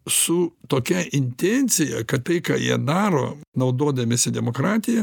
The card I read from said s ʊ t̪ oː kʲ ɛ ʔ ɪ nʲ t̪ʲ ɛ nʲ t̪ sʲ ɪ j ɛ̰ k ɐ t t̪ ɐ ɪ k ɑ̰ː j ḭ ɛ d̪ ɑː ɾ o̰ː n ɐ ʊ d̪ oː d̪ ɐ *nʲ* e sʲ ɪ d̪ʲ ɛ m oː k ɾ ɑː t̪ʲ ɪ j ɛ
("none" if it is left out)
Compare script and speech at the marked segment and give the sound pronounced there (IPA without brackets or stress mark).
mʲ